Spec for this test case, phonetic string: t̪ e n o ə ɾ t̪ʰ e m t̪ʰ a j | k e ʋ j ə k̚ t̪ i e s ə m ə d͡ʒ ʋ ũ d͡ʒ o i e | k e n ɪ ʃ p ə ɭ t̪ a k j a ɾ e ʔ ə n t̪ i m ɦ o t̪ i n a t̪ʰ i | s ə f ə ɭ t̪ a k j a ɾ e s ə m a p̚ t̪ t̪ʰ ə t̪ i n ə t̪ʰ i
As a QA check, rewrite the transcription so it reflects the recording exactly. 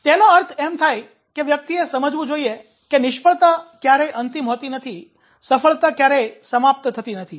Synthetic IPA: t̪ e n o ə ɾ t̪ʰ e m t̪ʰ a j | k e ʋ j ə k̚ t̪ i e s ə m ə d͡ʒ ʋ ũ d͡ʒ o i e | k e n ɪ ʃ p ə ɭ t̪ a k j a ɾ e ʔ ə n t̪ i m ɦ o t̪ i n ə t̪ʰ i | s ə f ə ɭ t̪ a k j a ɾ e s ə m a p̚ t̪ t̪ʰ ə t̪ i n ə t̪ʰ i